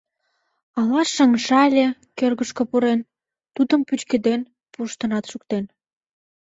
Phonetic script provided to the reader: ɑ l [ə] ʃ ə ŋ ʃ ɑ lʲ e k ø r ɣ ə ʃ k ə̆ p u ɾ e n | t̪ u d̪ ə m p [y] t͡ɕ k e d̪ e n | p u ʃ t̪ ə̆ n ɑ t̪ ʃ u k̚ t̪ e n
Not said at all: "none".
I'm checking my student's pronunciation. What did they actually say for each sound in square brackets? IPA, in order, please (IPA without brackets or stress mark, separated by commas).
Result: ɑ, y